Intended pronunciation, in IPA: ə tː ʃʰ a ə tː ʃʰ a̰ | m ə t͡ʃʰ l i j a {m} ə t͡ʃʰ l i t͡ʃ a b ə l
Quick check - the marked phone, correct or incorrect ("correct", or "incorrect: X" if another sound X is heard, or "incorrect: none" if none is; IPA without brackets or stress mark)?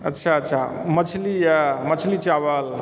correct